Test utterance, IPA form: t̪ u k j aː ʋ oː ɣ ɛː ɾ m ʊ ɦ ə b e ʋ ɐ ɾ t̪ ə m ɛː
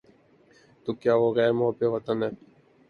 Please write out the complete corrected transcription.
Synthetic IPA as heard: t̪ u k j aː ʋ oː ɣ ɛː ɾ m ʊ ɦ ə b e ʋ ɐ t̪ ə n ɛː